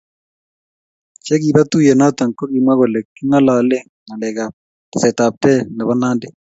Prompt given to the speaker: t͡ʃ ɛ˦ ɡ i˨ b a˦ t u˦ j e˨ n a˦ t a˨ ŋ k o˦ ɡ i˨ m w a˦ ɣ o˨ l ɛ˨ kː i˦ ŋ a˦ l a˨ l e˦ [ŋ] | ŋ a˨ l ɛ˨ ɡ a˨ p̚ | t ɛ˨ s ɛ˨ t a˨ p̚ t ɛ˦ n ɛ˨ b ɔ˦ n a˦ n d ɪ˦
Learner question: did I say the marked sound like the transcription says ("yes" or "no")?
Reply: yes